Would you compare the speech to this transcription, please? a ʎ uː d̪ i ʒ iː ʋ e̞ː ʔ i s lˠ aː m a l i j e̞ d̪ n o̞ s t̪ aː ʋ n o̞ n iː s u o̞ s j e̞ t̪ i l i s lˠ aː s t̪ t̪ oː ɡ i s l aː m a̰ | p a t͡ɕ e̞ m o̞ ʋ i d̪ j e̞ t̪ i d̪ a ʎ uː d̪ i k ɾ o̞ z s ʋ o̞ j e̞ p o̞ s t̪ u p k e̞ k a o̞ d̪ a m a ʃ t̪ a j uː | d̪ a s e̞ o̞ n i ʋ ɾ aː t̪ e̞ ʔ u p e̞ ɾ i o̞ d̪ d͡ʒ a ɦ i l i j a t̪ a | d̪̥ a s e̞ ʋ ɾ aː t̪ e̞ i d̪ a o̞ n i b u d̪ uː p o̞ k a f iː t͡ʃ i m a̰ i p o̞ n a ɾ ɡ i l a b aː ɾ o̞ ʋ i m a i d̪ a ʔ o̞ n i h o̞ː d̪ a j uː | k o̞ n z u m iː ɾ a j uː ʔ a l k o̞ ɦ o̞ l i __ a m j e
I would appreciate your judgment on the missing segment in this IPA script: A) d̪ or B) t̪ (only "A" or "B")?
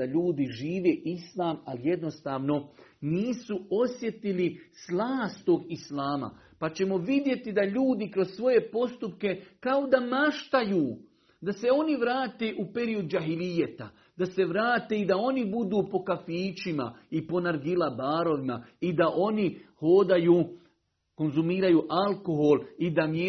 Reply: A